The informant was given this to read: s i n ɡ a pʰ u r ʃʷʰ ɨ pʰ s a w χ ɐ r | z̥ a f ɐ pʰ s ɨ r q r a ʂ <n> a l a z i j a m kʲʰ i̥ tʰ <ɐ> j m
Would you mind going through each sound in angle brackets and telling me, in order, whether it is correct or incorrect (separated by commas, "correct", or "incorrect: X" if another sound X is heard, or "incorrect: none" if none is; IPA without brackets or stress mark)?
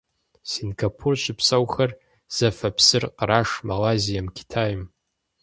incorrect: m, incorrect: a